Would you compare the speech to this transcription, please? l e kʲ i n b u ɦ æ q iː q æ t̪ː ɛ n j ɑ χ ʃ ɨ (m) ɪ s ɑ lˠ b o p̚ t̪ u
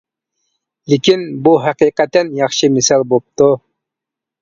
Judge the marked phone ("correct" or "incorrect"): correct